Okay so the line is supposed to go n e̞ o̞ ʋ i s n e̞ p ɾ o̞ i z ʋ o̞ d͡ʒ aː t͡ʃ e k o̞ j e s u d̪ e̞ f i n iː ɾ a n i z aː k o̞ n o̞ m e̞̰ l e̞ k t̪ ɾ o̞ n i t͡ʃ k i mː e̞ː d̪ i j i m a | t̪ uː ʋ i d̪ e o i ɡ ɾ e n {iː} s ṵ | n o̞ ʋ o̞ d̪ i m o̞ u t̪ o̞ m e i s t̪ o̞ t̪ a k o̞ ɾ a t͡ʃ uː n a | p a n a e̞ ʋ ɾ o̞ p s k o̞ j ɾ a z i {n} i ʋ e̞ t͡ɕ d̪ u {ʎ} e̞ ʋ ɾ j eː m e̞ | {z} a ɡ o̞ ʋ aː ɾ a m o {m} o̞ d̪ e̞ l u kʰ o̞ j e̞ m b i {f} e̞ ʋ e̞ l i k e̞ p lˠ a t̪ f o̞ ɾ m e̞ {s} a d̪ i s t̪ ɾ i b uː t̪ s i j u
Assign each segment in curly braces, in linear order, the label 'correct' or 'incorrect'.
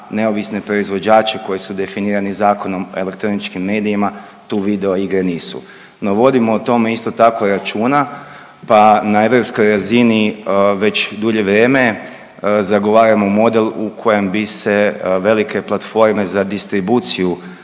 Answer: correct, correct, correct, correct, correct, incorrect: s, incorrect: z

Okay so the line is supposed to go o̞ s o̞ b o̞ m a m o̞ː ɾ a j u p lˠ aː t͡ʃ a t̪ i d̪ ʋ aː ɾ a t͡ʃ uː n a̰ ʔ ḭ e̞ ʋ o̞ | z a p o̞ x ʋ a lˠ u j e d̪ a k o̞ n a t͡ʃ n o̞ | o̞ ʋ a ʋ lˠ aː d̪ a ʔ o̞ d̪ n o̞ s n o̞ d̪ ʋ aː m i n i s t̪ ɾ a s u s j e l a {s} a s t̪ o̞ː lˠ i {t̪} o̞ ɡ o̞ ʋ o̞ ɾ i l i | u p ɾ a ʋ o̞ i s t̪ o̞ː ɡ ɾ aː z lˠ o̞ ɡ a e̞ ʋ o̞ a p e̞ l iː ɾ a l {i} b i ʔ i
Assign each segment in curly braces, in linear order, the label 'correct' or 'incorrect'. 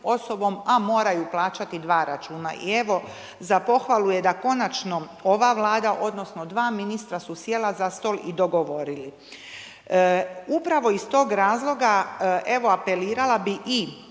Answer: incorrect: z, incorrect: d̪, incorrect: a

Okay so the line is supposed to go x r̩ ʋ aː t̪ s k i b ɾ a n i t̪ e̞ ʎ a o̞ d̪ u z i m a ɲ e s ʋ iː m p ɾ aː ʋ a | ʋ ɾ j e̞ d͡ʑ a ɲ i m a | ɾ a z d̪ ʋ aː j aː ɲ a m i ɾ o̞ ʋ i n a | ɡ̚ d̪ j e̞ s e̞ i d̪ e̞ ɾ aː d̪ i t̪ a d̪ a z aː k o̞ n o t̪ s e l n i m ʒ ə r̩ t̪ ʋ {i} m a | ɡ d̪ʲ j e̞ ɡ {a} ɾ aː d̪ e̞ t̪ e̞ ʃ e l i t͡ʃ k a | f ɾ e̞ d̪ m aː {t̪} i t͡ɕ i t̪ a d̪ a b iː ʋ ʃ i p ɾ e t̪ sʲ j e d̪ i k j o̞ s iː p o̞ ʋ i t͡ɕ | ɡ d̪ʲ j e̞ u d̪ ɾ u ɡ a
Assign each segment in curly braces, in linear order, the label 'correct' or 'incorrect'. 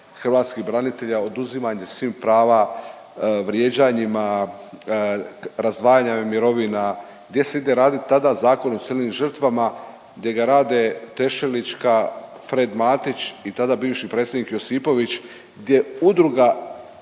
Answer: incorrect: a, correct, correct

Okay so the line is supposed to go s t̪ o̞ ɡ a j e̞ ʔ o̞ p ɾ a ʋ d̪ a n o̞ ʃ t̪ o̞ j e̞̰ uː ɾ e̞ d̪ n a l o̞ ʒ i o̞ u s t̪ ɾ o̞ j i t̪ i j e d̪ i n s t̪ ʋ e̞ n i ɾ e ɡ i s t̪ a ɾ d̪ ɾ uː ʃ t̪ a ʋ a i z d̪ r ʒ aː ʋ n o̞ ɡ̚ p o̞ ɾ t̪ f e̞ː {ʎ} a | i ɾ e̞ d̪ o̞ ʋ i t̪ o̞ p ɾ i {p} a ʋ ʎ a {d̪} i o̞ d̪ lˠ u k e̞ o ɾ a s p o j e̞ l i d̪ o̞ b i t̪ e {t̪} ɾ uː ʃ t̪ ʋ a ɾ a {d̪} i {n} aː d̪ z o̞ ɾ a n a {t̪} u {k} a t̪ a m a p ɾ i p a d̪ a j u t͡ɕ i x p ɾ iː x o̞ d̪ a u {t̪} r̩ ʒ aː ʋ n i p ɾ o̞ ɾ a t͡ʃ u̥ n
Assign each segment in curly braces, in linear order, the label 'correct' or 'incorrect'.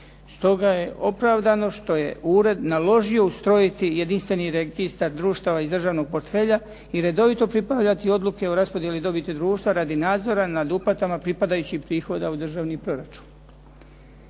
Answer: correct, correct, incorrect: t̪, incorrect: d̪, correct, correct, incorrect: d̪, incorrect: p, incorrect: d̪

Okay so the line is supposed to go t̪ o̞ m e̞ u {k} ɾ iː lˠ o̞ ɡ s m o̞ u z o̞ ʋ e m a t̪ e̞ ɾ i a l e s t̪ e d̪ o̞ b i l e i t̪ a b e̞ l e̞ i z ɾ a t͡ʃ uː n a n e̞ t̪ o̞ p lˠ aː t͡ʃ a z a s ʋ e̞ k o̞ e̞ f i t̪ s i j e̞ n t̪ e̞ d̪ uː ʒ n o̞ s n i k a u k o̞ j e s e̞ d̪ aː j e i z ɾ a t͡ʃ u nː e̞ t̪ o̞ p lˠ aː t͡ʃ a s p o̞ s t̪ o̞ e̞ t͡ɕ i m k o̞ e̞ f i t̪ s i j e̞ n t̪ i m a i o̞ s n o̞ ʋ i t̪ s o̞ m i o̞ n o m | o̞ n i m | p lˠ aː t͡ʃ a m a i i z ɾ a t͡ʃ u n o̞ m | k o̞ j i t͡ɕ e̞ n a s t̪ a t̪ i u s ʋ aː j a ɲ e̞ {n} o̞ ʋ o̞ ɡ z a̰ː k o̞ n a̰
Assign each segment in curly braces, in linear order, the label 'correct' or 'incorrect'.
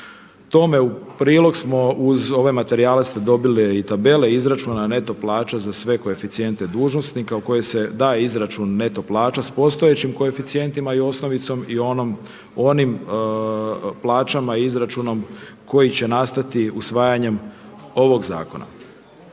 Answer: incorrect: p, incorrect: m

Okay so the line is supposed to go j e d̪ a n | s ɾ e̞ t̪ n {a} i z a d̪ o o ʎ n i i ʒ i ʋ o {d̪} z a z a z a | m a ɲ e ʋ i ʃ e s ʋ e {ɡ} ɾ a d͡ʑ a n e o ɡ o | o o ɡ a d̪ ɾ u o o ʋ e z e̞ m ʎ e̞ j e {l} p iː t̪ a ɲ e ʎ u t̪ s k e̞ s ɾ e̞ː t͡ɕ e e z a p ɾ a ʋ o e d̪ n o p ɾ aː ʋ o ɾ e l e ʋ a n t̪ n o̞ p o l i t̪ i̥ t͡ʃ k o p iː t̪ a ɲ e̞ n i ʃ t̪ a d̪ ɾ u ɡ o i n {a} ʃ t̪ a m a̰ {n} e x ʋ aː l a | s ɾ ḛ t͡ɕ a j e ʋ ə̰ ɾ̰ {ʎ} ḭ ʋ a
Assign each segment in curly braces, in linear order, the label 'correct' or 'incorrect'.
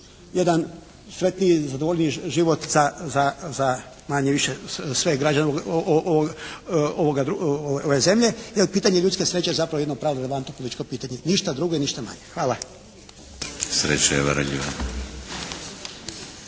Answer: incorrect: i, incorrect: t̪, correct, correct, incorrect: i, incorrect: ɲ, correct

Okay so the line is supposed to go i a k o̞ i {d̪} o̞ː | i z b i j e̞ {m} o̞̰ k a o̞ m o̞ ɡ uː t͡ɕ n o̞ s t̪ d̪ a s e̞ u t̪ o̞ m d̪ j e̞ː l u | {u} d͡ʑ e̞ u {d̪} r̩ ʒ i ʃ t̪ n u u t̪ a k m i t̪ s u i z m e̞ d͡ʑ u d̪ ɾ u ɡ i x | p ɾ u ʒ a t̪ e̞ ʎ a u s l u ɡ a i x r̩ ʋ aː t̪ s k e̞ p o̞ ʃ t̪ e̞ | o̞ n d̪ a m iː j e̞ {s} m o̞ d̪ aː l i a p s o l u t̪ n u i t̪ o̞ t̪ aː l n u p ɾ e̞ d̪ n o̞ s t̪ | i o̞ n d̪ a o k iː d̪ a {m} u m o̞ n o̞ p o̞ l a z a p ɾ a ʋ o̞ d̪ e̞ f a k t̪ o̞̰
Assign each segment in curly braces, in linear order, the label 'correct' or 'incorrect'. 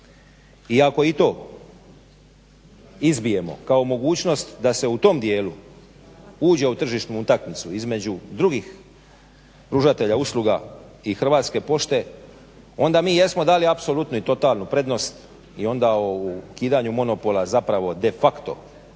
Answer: incorrect: t̪, correct, incorrect: uː, incorrect: t̪, correct, incorrect: ɲ

